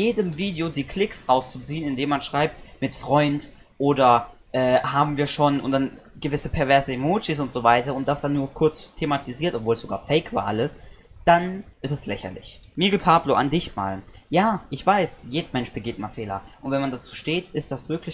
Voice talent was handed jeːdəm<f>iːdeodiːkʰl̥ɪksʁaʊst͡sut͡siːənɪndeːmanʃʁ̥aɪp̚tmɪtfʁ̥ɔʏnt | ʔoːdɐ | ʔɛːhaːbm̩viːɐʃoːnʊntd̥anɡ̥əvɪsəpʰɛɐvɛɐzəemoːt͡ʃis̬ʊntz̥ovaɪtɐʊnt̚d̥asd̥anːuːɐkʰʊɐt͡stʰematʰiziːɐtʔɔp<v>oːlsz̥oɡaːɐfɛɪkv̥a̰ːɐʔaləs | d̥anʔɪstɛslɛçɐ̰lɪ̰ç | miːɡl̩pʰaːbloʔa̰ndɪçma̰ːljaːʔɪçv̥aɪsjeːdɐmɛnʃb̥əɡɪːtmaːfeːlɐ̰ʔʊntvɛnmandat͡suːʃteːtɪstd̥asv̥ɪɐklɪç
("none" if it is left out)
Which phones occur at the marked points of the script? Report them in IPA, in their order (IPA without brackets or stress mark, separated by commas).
v, v